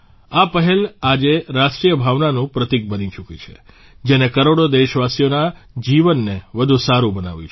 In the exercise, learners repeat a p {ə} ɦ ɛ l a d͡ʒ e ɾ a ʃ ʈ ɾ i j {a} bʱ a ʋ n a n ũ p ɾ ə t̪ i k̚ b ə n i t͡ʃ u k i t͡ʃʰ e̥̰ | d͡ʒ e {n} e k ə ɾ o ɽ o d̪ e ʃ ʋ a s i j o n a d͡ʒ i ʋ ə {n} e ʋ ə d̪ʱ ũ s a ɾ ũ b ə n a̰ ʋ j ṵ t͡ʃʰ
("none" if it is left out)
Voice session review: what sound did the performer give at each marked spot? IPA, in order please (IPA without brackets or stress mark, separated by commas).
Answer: ə, ə, n, nː